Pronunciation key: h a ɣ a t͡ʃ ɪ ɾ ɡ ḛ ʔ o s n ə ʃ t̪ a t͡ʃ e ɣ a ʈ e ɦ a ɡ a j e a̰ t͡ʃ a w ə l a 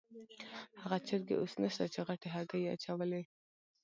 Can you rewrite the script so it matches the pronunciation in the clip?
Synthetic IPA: h a ɣ a t͡ʃ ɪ ɾ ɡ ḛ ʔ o s n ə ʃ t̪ a t͡ʃ e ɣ a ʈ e ɦ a ɡ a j e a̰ t͡ʃ a w ə l e